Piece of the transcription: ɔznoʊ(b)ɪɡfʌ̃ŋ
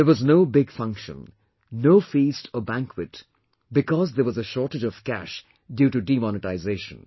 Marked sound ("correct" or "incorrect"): correct